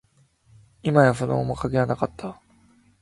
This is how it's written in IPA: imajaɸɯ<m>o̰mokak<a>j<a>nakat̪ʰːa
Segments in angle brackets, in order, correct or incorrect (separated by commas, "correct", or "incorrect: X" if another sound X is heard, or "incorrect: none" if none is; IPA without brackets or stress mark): incorrect: n, incorrect: e, correct